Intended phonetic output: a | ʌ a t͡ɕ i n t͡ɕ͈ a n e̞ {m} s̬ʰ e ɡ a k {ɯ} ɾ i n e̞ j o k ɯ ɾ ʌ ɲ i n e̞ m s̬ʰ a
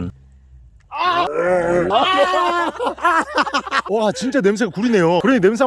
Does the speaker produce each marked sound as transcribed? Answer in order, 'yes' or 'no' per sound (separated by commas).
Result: yes, no